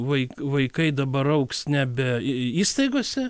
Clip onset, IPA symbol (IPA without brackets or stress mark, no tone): ʋ